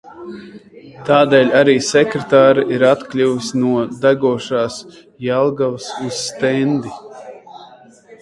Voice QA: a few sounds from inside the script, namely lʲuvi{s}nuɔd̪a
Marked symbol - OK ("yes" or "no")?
yes